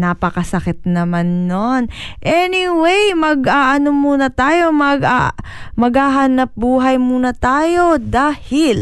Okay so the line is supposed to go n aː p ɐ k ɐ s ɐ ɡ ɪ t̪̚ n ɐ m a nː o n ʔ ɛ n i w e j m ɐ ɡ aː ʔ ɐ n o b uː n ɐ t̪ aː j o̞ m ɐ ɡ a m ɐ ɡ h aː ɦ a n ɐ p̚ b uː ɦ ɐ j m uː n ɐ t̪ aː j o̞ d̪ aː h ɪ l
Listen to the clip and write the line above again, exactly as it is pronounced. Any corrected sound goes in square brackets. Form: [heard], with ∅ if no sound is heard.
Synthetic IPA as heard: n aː p ɐ k ɐ s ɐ [k] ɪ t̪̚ n ɐ m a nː o n ʔ ɛ n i w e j m ɐ ɡ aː ʔ ɐ n o [m] uː n ɐ t̪ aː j o̞ m ɐ ɡ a m ɐ ɡ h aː ɦ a n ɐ p̚ b uː ɦ ɐ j m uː n ɐ t̪ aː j o̞ d̪ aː h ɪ l